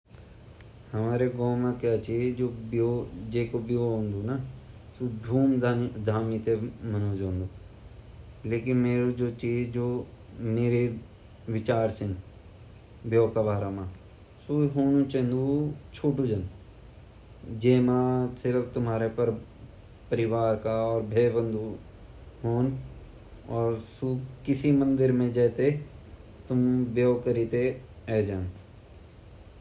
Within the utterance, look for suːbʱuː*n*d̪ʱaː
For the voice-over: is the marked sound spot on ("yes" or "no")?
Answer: no